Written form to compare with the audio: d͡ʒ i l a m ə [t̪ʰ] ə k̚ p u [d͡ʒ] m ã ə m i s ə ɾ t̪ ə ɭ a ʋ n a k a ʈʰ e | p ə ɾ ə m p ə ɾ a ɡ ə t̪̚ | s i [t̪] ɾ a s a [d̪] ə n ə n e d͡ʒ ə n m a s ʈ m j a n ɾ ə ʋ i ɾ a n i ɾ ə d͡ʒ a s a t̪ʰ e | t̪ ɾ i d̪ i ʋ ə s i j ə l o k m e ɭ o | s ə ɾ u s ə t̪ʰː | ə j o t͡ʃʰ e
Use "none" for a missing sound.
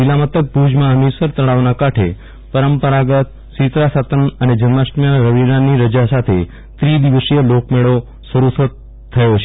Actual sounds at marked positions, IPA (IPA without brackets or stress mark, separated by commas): t̪, d͡ʒ, t̪, t̪